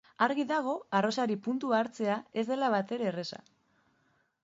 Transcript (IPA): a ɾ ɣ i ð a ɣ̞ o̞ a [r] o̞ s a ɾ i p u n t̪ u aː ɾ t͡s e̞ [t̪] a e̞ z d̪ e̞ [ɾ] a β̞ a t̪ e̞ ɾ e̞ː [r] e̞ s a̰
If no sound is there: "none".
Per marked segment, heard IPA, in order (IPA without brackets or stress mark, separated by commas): r, none, l, r